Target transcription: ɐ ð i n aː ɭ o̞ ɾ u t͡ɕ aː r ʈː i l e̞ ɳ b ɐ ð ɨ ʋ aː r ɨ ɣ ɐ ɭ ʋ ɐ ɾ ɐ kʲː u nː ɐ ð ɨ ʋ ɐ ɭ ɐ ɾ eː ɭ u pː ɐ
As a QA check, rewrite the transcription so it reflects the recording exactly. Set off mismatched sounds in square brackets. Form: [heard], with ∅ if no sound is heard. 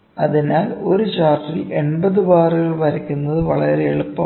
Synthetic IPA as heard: ɐ ð i n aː [l] o̞ ɾ u t͡ɕ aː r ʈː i l e̞ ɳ b ɐ ð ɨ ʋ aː r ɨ ɣ ɐ ɭ ʋ ɐ ɾ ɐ kʲː u nː ɐ ð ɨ ʋ ɐ ɭ ɐ ɾ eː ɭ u pː ɐ